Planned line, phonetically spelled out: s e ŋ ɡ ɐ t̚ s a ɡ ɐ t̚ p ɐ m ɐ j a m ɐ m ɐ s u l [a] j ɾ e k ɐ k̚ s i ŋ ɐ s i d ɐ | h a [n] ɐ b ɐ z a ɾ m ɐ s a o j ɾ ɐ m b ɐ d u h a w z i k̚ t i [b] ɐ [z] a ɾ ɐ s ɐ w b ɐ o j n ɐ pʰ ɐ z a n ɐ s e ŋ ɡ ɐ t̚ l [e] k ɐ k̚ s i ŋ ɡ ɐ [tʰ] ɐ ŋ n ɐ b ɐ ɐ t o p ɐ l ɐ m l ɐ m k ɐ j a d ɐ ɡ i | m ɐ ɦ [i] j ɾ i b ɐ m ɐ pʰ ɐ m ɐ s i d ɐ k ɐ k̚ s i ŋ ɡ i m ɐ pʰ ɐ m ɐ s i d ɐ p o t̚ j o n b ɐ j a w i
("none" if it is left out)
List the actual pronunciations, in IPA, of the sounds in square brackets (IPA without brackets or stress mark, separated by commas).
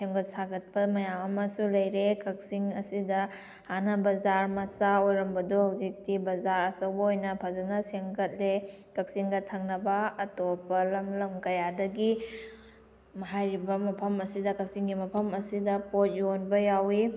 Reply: ɐ, n, b, z, e, tʰ, a